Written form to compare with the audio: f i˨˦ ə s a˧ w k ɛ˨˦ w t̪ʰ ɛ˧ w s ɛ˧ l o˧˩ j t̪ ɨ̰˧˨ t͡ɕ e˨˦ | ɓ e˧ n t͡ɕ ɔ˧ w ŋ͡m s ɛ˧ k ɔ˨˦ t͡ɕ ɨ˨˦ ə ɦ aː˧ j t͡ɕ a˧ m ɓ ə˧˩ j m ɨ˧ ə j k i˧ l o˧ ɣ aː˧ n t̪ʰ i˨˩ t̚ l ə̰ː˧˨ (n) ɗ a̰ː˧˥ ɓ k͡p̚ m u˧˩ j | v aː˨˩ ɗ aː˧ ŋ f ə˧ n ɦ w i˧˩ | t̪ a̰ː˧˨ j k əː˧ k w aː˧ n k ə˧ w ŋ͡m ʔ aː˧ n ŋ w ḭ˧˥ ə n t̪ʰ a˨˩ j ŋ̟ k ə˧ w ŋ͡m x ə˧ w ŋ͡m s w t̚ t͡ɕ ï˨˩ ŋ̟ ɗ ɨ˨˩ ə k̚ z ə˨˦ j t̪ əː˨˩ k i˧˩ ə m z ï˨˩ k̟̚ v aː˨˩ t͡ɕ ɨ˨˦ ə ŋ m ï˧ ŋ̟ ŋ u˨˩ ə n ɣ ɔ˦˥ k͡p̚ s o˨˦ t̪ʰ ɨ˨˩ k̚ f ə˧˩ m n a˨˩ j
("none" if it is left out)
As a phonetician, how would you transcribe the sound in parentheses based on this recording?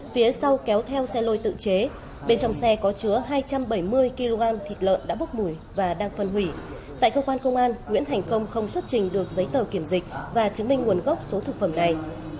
n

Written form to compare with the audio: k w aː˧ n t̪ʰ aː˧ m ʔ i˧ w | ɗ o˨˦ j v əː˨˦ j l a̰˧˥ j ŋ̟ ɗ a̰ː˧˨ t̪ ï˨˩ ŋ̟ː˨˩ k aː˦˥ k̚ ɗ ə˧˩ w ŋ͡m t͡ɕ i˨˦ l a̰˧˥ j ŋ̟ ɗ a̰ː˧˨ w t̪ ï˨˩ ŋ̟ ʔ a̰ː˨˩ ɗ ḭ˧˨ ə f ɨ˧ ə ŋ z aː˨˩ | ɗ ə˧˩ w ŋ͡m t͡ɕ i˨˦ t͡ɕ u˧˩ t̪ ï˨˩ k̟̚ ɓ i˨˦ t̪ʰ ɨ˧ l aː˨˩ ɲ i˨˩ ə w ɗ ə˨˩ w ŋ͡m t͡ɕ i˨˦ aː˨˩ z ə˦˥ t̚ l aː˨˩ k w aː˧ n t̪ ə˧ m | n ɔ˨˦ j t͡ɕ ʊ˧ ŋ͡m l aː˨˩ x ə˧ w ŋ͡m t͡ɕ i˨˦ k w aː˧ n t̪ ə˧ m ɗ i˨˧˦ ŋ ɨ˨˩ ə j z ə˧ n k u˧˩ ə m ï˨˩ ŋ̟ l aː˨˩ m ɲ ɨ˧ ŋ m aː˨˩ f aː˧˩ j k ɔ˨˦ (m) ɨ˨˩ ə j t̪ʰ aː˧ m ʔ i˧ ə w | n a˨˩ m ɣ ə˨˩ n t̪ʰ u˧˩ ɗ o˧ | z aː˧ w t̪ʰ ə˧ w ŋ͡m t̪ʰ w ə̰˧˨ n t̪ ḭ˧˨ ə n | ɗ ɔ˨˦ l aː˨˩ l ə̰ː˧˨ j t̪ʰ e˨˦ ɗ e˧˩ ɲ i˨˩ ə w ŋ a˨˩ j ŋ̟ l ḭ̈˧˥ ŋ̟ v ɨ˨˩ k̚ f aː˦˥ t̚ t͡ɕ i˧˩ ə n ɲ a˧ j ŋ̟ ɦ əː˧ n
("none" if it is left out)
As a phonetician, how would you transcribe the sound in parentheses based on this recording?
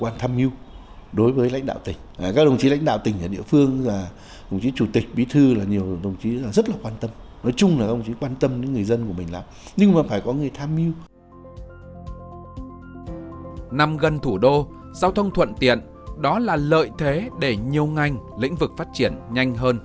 ŋ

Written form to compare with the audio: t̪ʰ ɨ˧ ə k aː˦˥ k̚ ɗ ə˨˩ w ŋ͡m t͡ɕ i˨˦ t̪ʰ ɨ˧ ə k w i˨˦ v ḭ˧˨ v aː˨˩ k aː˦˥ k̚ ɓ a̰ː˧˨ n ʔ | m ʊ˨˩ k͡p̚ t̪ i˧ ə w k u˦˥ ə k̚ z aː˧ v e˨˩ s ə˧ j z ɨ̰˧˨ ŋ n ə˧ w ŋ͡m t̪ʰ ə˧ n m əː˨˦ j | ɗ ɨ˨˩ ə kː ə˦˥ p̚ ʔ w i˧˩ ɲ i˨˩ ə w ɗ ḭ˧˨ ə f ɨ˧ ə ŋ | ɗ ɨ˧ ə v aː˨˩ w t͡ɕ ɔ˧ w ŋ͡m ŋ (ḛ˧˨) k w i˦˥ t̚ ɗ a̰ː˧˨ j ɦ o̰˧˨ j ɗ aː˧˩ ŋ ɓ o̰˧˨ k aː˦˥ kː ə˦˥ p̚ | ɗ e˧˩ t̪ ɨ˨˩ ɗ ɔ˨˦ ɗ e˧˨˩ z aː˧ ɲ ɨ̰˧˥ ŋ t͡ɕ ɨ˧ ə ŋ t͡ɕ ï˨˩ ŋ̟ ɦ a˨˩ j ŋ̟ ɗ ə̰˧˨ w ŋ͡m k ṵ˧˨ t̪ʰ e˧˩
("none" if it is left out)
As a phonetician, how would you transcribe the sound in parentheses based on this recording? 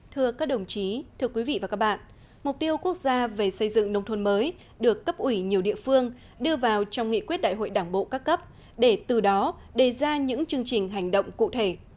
ḭ˧˨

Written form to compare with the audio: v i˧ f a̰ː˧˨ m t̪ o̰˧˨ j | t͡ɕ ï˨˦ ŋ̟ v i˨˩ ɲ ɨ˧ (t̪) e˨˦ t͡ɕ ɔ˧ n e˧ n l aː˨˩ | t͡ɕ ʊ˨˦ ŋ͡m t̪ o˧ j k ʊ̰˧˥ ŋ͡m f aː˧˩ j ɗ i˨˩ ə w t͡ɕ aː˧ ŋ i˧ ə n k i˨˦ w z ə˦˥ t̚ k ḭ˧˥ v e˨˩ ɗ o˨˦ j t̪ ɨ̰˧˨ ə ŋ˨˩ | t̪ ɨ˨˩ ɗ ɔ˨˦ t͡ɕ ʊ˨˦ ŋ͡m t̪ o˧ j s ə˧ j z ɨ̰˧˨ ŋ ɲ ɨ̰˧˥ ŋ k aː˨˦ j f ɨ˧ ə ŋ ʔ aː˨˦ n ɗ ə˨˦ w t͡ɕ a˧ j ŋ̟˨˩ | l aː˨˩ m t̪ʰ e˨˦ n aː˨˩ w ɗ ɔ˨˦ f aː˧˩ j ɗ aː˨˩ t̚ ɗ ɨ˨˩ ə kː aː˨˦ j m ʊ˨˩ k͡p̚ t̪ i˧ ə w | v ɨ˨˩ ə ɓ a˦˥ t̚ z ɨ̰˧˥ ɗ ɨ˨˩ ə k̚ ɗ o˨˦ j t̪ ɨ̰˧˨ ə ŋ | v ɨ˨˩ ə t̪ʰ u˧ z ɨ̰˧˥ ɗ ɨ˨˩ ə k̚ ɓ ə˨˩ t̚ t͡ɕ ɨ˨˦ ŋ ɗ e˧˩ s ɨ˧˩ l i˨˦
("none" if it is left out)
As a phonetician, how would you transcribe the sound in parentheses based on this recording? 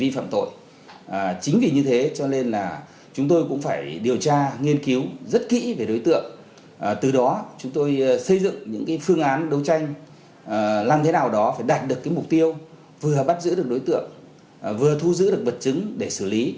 t̪ʰ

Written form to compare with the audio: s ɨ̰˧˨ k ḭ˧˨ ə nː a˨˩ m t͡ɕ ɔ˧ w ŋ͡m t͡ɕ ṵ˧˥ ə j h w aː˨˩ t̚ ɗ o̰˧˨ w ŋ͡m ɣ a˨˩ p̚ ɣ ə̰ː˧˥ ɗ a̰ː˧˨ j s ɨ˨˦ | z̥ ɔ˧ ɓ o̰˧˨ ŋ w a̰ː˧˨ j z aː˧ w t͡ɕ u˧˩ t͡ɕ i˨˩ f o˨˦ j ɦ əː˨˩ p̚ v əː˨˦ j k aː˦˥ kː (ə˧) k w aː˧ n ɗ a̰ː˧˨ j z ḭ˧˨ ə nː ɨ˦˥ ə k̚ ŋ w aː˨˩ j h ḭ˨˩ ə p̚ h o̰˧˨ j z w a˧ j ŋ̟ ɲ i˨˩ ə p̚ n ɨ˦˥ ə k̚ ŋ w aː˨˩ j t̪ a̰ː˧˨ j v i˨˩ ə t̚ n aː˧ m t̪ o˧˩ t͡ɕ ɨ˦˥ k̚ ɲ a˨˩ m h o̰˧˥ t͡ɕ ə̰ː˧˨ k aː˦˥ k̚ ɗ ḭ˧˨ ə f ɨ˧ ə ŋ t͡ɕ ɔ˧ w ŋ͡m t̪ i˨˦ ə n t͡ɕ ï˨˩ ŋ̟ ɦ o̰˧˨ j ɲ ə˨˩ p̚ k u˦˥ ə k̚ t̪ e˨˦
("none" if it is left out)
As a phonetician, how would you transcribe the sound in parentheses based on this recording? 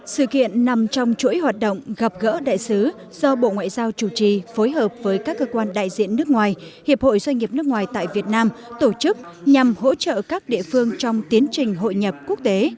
əː˧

